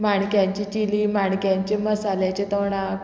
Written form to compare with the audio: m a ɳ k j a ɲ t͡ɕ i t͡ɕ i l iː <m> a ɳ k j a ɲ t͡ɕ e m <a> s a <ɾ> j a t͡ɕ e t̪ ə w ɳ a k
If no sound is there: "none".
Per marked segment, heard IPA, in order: m, ə, l

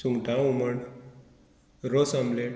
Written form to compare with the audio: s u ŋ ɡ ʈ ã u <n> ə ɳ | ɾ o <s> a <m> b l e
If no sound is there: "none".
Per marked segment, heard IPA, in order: m, s, m

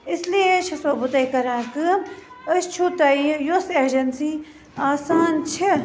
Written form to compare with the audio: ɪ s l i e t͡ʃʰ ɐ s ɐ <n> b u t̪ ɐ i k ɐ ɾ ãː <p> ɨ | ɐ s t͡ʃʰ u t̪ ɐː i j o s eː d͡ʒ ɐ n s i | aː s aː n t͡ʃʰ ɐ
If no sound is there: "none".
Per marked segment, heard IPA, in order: none, k

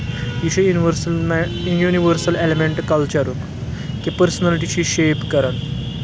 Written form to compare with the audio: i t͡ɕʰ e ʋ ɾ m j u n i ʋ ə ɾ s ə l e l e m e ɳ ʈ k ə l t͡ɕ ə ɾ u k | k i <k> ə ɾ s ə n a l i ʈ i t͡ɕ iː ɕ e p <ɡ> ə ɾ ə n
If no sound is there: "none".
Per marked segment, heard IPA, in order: p, k

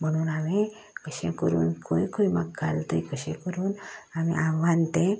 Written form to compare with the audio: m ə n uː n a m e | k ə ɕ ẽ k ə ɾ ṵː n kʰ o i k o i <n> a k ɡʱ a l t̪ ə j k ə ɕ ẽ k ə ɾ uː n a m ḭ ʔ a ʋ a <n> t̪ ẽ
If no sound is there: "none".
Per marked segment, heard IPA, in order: m, n

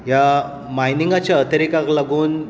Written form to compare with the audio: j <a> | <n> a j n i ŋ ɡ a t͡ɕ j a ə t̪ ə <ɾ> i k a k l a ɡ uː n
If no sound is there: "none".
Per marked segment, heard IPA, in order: a, m, ɾ

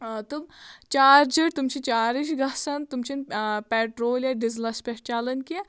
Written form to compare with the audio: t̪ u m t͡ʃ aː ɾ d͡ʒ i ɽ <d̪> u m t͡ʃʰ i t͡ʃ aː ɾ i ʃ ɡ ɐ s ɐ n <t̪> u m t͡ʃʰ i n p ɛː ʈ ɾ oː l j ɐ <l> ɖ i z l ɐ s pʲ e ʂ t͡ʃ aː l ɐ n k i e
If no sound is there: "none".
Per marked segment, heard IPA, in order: t̪, t̪, none

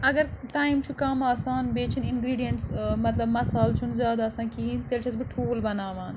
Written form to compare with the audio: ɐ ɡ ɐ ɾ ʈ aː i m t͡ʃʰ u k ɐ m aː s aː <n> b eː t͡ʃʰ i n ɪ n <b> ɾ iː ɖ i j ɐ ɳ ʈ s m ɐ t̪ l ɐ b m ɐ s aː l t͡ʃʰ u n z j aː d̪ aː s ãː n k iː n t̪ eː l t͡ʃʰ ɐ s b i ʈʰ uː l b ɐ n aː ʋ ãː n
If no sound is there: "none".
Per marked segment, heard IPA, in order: n, ɡ

